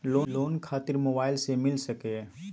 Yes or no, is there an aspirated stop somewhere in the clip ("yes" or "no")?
yes